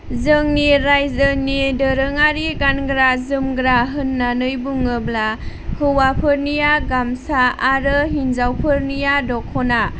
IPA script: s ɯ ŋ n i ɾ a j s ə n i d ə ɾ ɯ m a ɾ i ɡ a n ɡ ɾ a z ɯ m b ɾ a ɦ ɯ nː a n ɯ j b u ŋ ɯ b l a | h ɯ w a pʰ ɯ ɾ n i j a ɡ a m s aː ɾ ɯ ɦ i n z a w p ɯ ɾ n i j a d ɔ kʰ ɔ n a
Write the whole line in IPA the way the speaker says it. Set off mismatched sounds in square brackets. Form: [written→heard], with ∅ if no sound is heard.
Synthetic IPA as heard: [s→z] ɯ ŋ n i ɾ a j [s→z] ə n i d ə ɾ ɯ [m→ŋ] a ɾ i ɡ a n ɡ ɾ a z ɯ m [b→ɡ] ɾ a ɦ ɯ nː a n ɯ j b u ŋ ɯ b l a | h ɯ w a pʰ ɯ ɾ n i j a ɡ a m s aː ɾ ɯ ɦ i n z a w [p→pʰ] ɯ ɾ n i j a d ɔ kʰ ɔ n a